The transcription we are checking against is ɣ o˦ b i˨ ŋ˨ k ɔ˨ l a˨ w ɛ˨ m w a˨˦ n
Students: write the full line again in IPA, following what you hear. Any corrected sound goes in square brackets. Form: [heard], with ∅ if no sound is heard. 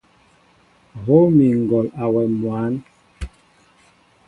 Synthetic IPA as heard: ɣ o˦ [m] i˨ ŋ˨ [ɡ] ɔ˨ l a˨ w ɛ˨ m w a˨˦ n

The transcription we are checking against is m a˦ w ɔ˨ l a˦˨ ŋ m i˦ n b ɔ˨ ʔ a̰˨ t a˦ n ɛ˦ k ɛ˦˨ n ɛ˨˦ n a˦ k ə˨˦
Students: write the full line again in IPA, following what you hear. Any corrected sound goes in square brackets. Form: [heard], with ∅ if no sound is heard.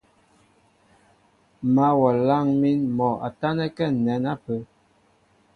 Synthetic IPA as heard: m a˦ w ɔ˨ l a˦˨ ŋ m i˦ n [m] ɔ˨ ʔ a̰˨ t a˦ n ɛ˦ k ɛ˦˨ n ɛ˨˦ n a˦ [p] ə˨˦

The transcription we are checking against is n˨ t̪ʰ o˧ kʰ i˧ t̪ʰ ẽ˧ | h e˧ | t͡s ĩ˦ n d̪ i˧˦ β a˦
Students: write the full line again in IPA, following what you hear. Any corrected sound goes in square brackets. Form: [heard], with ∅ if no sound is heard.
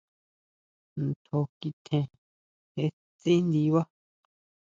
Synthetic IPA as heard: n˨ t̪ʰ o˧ [k] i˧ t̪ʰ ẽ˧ | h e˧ | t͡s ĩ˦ n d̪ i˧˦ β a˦

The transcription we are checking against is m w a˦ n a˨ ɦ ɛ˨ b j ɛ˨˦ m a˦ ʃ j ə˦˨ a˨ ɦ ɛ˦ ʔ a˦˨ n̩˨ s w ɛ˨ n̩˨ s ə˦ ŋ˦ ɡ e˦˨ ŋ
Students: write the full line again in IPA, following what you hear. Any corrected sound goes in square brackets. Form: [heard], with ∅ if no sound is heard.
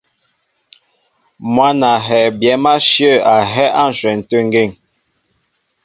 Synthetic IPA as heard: m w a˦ n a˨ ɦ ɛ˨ b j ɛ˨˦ m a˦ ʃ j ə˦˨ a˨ ɦ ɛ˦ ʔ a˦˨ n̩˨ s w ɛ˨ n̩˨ [t] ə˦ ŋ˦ ɡ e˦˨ ŋ

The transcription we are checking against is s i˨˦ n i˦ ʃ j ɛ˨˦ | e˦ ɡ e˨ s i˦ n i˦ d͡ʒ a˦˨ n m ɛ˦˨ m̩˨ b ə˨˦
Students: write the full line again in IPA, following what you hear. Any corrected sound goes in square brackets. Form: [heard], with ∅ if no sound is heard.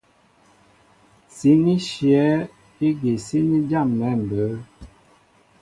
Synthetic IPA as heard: s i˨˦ n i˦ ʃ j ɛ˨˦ | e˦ ɡ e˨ s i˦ n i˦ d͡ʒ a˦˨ [m] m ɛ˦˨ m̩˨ b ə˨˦

